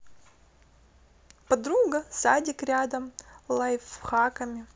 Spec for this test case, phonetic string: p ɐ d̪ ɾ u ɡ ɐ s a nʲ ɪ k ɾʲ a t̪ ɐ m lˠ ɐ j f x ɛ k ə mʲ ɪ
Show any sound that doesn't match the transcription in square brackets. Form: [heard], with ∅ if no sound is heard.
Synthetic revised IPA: p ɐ d̪ ɾ u ɡ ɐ s a [dʲ] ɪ k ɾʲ a [d̪] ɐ m lˠ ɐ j f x [a] k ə mʲ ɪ